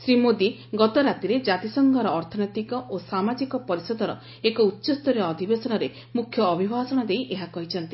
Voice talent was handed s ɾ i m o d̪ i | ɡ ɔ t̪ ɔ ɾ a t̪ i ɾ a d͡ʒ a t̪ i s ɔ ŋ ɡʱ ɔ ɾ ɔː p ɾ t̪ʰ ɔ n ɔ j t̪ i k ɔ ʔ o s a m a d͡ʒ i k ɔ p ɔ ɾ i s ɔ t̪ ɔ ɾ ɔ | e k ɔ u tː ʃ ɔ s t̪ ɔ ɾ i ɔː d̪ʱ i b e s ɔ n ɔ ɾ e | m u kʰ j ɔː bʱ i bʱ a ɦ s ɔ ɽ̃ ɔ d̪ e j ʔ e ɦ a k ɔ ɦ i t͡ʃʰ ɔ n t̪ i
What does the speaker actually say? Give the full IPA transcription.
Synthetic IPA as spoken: s ɾ i m o d̪ i | ɡ ɔ t̪ ɔ ɾ a t̪ i ɾ e d͡ʒ a t̪ i s ɔ ŋ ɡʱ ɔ ɾ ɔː ɾ t̪ʰ ɔ n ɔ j t̪ i k ɔ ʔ o s a m a d͡ʒ i k ɔ p ɔ ɾ i s ɔ d̪ ɔ ɾ ɔ | e k ɔ u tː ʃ ɔ s t̪ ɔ ɾ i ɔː d̪ʱ i b e s ɔ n ɔ ɾ e | m u kʰ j ɔː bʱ i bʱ a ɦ s ɔ ɽ̃ ɔ d̪ e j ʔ e ɦ a k ɔ ɦ i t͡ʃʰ ɔ n t̪ i